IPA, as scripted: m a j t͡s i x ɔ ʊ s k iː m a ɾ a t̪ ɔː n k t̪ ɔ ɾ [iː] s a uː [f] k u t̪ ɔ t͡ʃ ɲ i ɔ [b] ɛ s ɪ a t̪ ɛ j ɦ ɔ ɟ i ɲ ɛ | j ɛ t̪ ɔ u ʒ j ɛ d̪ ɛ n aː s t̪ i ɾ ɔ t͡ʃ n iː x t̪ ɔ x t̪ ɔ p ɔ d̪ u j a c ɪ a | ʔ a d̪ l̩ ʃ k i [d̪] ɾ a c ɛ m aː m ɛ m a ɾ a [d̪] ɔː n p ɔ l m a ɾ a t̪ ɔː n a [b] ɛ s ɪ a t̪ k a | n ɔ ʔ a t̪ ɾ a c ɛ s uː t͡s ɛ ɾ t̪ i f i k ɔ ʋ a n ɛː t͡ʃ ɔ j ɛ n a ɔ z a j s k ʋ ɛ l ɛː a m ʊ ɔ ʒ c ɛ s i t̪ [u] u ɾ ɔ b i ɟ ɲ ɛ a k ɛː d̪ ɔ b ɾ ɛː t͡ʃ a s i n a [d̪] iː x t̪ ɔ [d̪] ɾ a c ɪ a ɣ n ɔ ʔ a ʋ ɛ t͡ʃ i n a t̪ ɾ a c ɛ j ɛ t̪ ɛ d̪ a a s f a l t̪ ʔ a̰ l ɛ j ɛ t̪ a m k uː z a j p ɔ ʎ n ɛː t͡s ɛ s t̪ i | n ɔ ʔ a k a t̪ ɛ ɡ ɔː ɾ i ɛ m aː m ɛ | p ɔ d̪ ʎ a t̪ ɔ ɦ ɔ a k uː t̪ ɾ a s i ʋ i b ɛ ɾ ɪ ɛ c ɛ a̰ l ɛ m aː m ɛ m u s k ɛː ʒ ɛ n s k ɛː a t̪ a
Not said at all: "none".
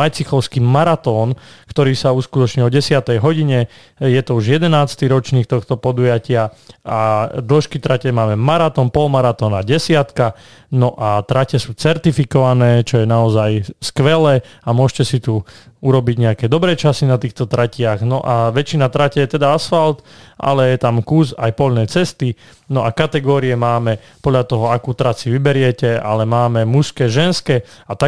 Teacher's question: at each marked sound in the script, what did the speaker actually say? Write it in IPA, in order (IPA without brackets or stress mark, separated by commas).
iː, s, ɟ, t̪, t̪, ɟ, u, t̪, t̪